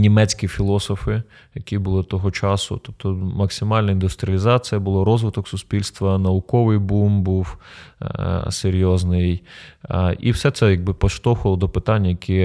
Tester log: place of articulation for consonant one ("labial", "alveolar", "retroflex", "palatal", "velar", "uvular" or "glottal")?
alveolar